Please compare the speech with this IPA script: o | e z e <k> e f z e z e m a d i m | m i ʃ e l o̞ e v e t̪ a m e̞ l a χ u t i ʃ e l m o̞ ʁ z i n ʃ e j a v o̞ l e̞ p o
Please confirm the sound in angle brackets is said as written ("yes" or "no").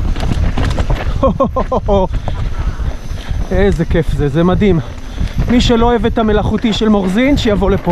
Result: yes